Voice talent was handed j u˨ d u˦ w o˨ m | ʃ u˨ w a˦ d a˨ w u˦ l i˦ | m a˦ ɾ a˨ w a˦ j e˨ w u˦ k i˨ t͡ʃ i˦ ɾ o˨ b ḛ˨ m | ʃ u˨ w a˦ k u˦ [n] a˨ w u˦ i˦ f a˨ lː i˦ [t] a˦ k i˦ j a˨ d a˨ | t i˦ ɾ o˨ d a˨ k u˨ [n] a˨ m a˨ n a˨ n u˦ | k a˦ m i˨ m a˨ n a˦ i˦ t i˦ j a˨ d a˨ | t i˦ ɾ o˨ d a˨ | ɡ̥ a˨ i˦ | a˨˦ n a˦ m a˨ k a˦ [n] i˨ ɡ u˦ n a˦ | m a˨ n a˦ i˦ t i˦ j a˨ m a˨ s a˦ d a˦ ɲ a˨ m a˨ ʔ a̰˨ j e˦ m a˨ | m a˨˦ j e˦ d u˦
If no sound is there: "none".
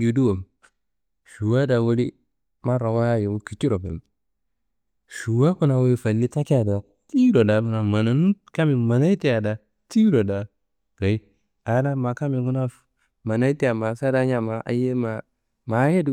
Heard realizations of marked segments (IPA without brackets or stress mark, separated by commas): n, t, n, m